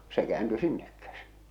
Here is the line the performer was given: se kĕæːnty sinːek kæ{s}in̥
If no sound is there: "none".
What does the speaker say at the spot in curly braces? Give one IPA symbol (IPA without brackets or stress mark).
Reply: s